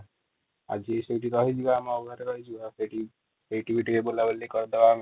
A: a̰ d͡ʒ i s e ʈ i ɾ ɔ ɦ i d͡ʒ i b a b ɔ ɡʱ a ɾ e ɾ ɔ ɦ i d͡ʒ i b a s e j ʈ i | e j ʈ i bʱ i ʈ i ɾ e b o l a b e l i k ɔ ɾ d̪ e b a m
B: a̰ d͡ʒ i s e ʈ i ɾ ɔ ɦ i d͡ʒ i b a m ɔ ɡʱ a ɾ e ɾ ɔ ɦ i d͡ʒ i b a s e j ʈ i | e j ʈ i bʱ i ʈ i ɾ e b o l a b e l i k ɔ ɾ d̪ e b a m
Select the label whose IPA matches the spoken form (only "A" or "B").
B